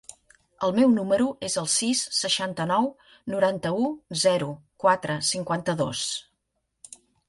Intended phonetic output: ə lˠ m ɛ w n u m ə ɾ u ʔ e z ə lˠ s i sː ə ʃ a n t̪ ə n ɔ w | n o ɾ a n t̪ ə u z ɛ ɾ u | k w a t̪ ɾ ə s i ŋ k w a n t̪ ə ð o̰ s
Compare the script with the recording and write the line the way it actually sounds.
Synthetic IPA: ə lˠ m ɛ w n u m ə ɾ u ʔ e z ə lˠ s i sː ə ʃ a n t̪ ə n ɔ w | n u ɾ a n t̪ ə u z ɛ ɾ u | k w a t̪ ɾ ə s i ŋ k w a n t̪ ə ð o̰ s